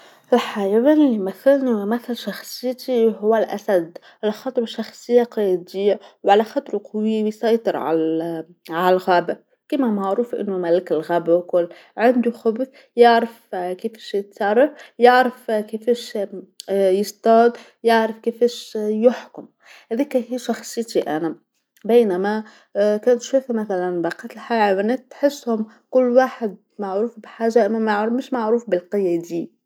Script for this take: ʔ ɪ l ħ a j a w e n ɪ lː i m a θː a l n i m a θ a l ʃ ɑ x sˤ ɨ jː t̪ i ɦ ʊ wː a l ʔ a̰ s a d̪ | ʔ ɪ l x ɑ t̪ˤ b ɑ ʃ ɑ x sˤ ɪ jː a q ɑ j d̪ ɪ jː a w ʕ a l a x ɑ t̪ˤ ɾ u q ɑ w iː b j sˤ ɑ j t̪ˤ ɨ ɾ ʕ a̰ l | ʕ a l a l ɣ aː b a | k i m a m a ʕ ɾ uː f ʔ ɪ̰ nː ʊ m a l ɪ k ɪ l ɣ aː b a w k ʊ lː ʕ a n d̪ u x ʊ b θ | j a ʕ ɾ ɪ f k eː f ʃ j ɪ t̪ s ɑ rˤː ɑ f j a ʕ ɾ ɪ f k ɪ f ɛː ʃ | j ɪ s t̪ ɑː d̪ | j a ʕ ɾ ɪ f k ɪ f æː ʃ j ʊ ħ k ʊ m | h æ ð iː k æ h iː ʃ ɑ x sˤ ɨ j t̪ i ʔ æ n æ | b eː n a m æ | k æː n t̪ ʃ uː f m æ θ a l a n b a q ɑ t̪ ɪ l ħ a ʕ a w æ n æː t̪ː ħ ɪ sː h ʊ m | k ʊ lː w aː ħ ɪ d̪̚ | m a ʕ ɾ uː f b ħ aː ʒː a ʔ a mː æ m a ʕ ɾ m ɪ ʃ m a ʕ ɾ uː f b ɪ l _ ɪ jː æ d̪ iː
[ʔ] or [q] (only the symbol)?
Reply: q